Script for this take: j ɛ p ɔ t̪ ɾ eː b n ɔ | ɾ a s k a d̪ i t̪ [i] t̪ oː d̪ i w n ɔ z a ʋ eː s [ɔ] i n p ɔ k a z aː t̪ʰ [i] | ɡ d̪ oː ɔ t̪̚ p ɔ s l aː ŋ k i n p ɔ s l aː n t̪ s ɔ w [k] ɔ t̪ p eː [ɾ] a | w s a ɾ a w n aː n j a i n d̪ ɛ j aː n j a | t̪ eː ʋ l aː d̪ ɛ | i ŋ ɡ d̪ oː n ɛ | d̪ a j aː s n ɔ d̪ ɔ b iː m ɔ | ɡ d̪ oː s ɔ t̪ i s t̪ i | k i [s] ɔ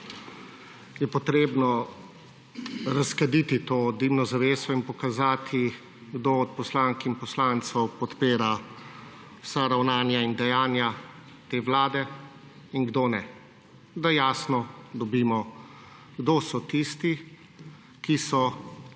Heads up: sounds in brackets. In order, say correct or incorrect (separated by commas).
correct, correct, correct, incorrect, correct, correct